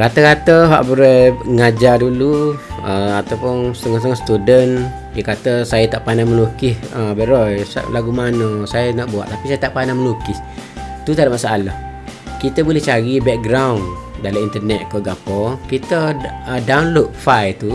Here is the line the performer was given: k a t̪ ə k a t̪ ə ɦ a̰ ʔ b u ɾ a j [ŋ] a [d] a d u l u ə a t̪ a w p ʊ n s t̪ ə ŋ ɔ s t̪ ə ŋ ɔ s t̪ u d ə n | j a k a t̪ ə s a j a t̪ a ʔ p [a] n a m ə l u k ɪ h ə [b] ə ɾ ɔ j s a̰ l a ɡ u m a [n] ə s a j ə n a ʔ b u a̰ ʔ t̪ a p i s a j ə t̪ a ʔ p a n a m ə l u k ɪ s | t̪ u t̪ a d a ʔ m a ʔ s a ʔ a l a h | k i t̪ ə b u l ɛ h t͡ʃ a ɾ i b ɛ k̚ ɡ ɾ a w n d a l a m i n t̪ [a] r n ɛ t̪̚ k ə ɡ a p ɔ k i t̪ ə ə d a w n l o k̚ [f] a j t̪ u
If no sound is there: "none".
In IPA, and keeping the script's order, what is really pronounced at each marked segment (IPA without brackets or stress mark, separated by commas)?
ŋ, d͡ʒ, a, b, n, ə, f